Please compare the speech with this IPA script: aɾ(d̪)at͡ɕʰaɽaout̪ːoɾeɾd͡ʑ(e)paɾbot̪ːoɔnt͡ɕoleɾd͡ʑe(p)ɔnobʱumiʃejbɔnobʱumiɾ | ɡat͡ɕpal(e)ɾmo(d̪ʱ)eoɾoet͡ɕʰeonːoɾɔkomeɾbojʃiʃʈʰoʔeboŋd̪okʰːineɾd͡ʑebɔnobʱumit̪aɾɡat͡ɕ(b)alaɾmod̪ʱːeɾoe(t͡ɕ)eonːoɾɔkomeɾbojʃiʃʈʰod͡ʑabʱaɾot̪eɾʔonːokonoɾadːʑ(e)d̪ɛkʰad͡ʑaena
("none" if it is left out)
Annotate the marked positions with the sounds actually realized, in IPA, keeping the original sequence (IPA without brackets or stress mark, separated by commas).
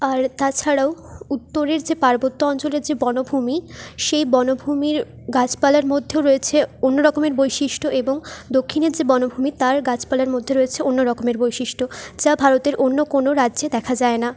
t̪, e, b, a, d̪ʱː, p, t͡ɕʰ, e